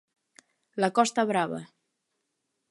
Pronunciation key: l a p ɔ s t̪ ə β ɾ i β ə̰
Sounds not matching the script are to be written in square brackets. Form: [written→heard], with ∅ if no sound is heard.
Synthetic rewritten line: l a [p→k] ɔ s t̪ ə β ɾ [i→a] β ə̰